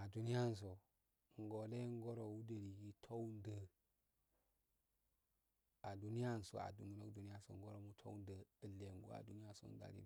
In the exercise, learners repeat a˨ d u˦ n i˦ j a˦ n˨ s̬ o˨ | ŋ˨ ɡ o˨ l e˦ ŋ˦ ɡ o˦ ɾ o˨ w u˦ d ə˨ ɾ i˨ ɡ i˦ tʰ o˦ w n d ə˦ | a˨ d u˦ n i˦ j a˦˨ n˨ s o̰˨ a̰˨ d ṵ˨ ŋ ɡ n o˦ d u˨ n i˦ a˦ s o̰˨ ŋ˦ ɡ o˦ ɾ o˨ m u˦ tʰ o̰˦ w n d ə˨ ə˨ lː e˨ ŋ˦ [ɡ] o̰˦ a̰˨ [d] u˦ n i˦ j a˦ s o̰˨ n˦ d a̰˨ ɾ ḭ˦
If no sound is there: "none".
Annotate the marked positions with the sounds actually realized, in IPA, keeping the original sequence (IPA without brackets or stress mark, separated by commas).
ɡ, d